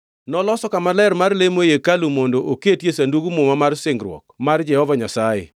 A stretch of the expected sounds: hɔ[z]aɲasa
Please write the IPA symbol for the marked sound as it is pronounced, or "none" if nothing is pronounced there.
v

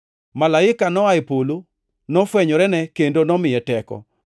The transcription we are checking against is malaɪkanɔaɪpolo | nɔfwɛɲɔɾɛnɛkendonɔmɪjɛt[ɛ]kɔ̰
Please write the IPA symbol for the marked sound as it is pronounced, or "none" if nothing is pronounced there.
ɛ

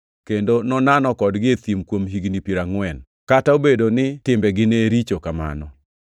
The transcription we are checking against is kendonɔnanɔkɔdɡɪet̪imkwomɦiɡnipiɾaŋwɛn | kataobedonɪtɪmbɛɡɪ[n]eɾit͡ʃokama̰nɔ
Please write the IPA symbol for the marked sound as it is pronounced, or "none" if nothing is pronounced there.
n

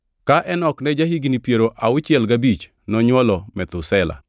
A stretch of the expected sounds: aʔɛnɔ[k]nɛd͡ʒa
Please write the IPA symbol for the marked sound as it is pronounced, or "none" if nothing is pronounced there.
k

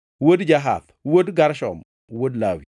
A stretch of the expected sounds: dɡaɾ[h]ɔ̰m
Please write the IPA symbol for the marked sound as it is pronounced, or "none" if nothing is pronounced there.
ʃ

